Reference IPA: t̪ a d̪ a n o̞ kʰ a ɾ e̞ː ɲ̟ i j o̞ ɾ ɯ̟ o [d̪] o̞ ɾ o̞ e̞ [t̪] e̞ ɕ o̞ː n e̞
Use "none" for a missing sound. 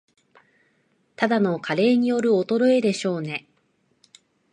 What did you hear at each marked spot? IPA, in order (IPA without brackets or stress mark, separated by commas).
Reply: t̪, d̪